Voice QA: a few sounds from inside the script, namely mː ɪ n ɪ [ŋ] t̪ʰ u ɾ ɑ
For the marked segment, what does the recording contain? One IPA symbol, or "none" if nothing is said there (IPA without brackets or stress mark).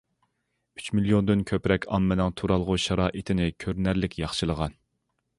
ŋ